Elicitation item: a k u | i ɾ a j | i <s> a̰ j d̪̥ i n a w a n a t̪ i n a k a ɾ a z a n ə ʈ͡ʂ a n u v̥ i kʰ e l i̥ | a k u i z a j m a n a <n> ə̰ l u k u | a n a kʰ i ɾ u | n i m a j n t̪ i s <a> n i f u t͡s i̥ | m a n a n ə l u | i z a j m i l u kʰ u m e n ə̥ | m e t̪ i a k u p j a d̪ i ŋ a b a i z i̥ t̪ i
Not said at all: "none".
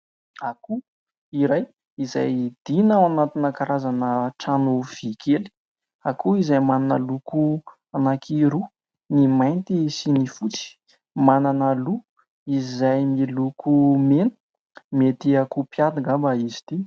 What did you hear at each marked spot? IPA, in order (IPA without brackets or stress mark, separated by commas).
z, n, i